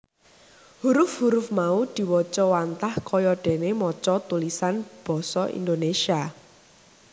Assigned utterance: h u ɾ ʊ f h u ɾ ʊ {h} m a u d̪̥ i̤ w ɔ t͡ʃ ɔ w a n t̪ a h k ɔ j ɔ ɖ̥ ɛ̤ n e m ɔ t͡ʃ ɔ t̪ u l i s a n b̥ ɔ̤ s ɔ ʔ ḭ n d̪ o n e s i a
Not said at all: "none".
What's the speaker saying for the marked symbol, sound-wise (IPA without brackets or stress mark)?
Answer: f